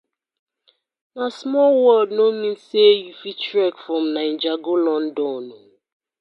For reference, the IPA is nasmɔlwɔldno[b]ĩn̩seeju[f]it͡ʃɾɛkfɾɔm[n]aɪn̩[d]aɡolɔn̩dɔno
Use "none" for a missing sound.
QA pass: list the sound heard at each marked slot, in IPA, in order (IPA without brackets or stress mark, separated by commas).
m, f, n, d͡ʒ